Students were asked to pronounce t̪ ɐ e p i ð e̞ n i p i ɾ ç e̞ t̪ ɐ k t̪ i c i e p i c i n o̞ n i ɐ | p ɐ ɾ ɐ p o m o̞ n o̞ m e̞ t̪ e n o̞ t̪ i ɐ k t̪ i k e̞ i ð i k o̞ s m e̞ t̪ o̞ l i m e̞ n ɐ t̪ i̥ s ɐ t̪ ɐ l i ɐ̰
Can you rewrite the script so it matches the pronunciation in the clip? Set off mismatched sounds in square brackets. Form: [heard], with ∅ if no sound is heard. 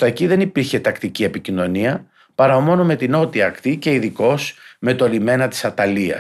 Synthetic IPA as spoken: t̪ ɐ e [c] i ð e̞ n i p i ɾ ç e̞ t̪ ɐ k t̪ i c i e p i c i n o̞ n i ɐ | p ɐ ɾ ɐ [∅] o m o̞ n o̞ m e̞ t̪ [i] n o̞ t̪ i ɐ k t̪ i [c] e̞ i ð i k o̞ s m e̞ t̪ o̞ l i m e̞ n ɐ t̪ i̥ s ɐ t̪ ɐ l i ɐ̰